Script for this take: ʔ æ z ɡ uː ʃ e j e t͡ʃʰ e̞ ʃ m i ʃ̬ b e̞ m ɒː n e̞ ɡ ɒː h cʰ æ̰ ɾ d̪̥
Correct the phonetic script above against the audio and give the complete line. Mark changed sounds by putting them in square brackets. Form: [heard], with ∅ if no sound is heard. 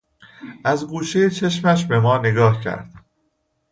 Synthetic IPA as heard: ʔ æ z ɡ uː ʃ e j e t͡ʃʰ e̞ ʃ m [æ] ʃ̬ b e̞ m ɒː n e̞ ɡ ɒː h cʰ æ̰ ɾ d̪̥